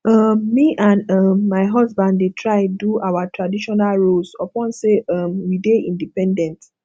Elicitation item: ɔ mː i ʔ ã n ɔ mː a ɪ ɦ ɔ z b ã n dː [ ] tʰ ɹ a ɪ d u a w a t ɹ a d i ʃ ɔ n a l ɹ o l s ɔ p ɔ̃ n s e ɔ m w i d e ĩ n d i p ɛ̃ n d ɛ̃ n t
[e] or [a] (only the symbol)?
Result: e